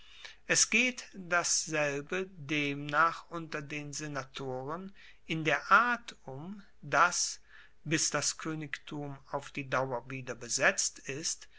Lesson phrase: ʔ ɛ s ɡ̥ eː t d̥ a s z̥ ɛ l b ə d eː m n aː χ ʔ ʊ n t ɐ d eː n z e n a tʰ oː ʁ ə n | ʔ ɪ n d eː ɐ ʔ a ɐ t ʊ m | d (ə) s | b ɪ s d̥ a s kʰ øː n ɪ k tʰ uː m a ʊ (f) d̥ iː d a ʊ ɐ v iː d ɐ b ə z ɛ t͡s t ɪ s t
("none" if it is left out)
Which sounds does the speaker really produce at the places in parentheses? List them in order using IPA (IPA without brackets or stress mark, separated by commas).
a, f